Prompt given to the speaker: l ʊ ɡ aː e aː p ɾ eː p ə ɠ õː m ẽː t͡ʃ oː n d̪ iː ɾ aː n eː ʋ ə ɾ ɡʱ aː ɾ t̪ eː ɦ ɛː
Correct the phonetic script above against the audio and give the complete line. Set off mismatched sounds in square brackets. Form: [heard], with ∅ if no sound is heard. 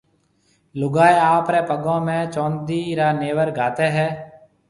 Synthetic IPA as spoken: l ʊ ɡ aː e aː p ɾ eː p ə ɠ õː m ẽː t͡ʃ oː n d̪ iː ɾ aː n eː ʋ ə ɾ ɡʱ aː [∅] t̪ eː ɦ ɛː